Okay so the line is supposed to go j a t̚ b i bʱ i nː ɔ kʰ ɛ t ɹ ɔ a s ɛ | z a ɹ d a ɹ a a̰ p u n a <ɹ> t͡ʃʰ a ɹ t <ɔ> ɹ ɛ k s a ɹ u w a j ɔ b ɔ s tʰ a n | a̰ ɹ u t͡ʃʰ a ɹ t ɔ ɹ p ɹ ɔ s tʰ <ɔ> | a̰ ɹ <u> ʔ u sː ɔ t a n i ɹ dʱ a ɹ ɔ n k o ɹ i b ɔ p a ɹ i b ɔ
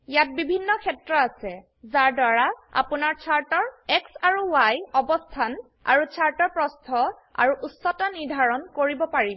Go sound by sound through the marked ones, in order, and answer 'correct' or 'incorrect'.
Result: correct, correct, correct, correct

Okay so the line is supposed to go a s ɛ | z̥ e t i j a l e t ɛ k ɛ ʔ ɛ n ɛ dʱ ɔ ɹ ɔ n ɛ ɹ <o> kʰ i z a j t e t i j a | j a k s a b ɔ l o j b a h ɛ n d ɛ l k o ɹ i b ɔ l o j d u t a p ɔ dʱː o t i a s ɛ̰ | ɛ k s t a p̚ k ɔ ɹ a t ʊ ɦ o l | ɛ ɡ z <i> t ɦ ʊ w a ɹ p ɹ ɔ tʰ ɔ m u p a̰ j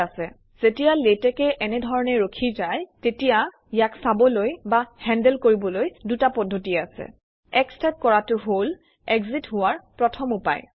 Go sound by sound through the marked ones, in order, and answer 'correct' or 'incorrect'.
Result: correct, correct

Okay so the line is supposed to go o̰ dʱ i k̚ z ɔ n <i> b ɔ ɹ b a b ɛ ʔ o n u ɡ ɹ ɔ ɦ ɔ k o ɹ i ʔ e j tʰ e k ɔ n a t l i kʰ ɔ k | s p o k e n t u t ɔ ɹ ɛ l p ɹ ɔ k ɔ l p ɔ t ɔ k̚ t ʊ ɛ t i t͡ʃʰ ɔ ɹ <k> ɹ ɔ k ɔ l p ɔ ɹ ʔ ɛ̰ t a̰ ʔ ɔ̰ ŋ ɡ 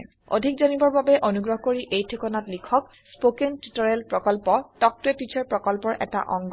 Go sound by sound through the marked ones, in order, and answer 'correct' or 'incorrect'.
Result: correct, incorrect: p

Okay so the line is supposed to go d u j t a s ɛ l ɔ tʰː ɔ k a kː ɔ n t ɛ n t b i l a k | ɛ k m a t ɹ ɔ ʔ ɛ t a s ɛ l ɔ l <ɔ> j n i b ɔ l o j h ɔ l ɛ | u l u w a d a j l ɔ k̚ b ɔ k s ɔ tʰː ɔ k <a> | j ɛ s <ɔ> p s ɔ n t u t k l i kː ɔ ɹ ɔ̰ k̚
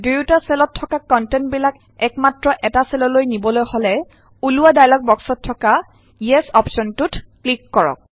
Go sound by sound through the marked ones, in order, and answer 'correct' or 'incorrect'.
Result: incorrect: o, correct, correct

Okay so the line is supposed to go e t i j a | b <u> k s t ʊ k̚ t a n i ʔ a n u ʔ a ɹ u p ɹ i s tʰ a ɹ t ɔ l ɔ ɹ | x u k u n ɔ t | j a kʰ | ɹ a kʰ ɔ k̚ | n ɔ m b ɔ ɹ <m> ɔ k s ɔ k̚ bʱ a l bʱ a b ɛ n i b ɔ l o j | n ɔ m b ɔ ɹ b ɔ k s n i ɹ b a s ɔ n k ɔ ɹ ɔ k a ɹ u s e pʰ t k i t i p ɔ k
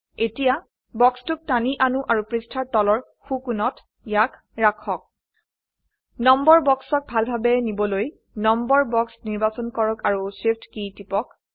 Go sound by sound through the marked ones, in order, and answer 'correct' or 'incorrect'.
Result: incorrect: ɔ, incorrect: b

